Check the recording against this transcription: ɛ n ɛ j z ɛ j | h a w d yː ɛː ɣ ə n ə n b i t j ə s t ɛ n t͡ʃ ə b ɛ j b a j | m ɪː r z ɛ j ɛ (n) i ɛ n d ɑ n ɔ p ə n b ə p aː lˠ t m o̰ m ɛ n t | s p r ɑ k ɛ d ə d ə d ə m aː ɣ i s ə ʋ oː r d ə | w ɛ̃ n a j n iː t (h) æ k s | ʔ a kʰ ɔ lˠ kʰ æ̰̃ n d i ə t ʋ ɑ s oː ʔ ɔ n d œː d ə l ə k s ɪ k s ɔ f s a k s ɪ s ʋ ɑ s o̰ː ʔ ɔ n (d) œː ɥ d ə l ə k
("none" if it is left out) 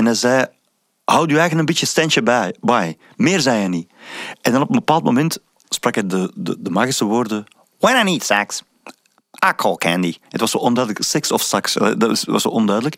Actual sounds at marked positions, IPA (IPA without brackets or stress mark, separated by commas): n, s, d